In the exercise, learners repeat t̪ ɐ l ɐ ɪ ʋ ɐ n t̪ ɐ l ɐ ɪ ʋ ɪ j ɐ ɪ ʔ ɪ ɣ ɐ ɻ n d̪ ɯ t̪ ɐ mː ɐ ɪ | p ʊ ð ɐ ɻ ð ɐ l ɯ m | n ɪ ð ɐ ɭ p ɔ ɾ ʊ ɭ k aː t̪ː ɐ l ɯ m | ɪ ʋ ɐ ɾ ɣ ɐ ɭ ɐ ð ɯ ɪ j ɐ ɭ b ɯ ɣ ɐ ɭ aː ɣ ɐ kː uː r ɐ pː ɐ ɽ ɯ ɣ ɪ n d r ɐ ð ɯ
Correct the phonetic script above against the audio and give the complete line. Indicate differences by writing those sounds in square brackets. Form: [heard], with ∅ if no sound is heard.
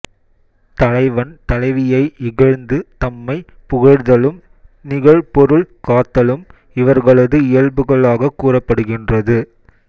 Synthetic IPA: t̪ ɐ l ɐ ɪ ʋ ɐ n t̪ ɐ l ɐ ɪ ʋ ɪ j ɐ ɪ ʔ ɪ ɣ ɐ ɻ n d̪ ɯ t̪ ɐ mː ɐ ɪ | p ʊ [ɣ] ɐ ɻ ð ɐ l ɯ m | n ɪ [ɣ] ɐ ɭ p ɔ ɾ [ɯ] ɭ k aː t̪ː ɐ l ɯ m | ɪ ʋ ɐ ɾ ɣ ɐ ɭ ɐ ð ɯ ɪ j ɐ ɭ b ɯ ɣ ɐ ɭ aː ɣ ɐ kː uː r ɐ pː ɐ ɽ ɯ ɣ ɪ n d r ɐ ð ɯ